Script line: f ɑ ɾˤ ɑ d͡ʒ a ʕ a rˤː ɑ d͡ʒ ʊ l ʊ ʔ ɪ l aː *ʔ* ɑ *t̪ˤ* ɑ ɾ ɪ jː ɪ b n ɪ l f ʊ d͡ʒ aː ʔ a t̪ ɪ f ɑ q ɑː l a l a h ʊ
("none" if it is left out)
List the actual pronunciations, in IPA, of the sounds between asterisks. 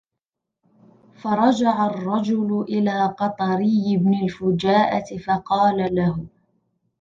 q, t̪ˤ

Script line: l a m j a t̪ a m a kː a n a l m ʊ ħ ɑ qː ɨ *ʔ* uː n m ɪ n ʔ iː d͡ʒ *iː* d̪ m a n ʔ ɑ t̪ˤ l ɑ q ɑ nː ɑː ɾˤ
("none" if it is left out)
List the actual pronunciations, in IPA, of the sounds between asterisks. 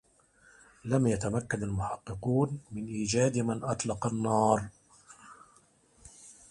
q, aː

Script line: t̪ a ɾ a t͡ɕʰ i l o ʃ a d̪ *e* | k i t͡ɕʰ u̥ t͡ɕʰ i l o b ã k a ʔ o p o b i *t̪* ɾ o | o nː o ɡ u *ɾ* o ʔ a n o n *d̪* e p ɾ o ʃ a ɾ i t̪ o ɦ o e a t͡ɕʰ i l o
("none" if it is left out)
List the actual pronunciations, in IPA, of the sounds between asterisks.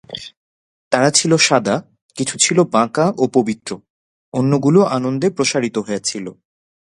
a, t̪, l, d̪

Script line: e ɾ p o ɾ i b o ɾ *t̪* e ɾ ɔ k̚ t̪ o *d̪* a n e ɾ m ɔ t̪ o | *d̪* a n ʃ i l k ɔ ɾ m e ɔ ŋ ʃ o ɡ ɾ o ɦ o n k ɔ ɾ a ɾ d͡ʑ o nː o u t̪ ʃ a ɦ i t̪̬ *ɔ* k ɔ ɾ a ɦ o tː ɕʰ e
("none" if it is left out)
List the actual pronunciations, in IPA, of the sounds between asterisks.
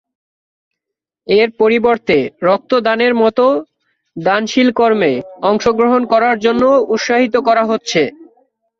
t̪, d̪, d̪, o

